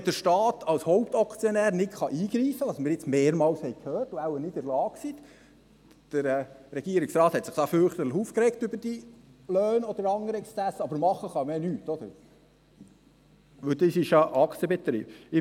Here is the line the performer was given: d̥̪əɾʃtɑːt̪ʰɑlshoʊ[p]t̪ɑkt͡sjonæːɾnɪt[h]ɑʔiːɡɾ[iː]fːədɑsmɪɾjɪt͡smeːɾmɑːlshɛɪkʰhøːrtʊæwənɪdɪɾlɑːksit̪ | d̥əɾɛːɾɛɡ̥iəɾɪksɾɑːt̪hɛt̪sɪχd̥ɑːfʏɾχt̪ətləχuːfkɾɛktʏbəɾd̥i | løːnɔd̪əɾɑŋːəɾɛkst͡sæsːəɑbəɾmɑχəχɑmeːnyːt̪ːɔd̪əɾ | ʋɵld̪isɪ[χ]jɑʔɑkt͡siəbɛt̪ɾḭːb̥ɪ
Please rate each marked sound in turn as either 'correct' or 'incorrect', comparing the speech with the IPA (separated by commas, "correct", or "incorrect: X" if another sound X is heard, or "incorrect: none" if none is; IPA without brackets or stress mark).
correct, incorrect: χ, correct, incorrect: ʃ